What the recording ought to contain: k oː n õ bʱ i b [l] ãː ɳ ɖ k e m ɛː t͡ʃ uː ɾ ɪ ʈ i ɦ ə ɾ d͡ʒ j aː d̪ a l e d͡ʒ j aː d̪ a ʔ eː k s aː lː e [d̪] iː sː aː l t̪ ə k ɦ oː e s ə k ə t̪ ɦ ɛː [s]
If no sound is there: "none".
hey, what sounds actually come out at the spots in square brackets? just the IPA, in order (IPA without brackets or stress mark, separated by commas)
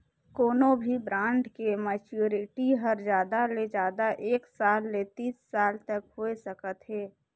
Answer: ɾ, t̪, none